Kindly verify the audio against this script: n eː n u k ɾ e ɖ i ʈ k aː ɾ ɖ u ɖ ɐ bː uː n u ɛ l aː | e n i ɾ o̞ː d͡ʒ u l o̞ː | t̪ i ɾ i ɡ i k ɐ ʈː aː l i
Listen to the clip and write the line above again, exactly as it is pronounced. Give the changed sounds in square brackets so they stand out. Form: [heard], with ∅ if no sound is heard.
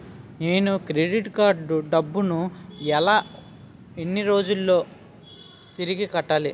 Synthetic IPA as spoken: n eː n u k ɾ e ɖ i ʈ k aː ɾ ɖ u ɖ ɐ bː [u] n u ɛ l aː | e [nː] i ɾ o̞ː d͡ʒ u [lː] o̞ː | t̪ i ɾ i ɡ i k ɐ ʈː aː l i